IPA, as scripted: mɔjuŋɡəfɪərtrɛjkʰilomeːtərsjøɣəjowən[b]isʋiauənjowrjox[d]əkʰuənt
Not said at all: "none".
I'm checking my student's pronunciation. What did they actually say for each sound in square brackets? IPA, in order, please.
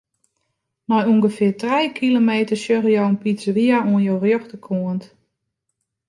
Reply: p, t

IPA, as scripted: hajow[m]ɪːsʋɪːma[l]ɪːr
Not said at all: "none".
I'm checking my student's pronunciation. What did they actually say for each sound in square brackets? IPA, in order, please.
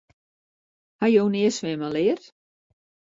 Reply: n, l

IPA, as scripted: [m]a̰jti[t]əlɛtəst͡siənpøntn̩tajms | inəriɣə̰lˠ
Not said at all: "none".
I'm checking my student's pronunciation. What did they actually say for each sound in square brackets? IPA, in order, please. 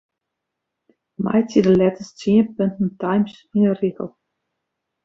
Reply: m, d

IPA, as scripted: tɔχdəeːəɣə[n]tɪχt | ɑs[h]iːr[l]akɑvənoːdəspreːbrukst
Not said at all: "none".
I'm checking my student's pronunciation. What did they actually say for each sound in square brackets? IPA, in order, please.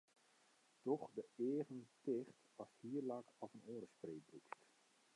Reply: n, h, l

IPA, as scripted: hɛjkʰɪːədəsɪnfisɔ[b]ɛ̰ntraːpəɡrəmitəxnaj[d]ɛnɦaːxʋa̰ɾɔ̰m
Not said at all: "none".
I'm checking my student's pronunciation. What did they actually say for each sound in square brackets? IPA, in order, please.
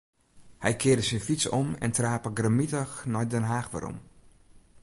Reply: m, d

